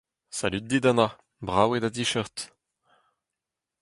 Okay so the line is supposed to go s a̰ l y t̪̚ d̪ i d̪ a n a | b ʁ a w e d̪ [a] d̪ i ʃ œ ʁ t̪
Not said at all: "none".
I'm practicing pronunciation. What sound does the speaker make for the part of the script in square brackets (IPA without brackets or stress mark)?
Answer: a